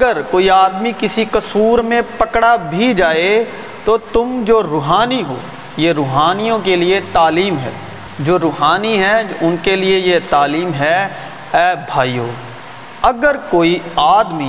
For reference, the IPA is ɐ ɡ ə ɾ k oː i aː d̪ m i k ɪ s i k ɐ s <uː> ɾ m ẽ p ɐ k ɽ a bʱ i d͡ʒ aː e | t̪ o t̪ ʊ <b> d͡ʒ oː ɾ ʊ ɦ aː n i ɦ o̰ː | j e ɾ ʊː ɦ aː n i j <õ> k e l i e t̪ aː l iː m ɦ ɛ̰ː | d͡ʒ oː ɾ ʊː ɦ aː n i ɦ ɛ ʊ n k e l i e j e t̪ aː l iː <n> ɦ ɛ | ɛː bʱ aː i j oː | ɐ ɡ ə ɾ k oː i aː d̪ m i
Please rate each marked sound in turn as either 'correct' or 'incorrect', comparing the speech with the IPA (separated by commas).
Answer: correct, incorrect, correct, incorrect